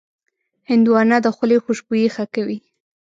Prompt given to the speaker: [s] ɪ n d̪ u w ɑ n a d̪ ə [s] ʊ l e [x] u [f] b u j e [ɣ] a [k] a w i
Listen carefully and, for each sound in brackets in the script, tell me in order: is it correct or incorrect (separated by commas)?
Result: incorrect, incorrect, correct, incorrect, incorrect, correct